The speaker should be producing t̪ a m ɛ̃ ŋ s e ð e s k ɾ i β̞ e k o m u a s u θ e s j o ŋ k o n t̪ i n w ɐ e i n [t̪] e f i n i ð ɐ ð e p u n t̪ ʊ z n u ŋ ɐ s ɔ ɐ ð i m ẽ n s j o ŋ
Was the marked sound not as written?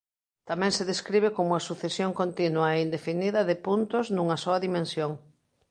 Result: yes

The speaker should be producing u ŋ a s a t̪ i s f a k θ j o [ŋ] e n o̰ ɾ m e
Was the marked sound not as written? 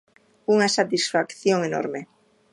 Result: no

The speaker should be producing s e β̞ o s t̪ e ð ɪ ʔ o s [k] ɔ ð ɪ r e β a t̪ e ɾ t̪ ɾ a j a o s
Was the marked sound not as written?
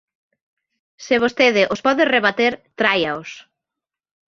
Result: yes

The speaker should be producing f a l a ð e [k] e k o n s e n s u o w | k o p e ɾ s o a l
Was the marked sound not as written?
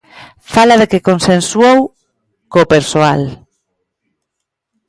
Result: no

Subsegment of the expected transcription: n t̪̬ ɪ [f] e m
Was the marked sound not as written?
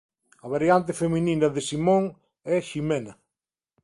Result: no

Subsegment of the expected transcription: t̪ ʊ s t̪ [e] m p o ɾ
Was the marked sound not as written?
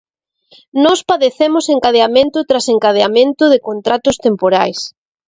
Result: no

